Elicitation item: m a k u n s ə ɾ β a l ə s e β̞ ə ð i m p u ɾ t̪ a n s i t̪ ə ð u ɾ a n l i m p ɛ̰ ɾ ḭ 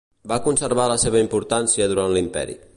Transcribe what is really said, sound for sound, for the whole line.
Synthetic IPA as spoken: b a k u n s ə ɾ β a l ə s e β̞ ə i m p u ɾ t̪ a n s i ə ð u ɾ a n l i m p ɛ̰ ɾ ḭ